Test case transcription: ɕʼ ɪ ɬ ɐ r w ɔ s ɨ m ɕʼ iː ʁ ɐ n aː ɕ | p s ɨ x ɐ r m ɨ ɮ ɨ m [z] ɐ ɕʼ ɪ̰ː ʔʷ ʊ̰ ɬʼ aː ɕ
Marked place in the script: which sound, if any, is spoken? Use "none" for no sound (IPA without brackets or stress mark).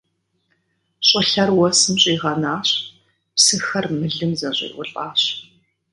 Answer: z